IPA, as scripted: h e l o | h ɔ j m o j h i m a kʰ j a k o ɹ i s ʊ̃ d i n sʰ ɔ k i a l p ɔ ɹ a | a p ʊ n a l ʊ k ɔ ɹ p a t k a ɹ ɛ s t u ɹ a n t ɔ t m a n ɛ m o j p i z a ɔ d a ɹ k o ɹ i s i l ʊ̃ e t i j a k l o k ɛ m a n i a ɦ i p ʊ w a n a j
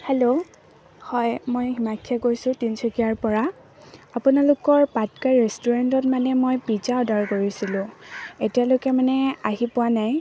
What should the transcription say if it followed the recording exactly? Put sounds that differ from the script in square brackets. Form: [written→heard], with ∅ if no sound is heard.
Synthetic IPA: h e l o | h ɔ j m o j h i m a kʰ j a k o ɹ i s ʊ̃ [d→t] i n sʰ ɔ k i a [l→ɹ] p ɔ ɹ a | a p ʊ n a l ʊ k ɔ ɹ p a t k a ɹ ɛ s t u ɹ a n t ɔ t m a n ɛ m o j p i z a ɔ d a ɹ k o ɹ i s i l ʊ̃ e t i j a [k→∅] l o k ɛ m a n [i→ɛ] a ɦ i p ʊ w a n a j